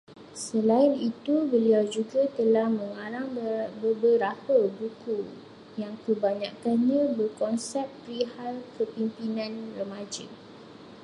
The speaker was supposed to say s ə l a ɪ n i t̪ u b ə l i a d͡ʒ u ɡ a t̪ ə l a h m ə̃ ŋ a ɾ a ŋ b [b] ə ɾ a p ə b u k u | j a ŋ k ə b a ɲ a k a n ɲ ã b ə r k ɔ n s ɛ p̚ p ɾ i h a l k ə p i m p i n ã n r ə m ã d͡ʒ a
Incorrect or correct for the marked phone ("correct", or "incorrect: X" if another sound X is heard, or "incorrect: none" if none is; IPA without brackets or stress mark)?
correct